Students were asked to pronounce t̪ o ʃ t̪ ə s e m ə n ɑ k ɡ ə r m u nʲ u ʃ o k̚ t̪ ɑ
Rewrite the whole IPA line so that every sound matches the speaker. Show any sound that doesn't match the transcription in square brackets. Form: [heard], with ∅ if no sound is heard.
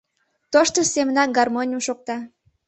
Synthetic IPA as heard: t̪ o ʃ t̪ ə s e m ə n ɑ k ɡ [ɑ] r m [o] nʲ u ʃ o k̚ t̪ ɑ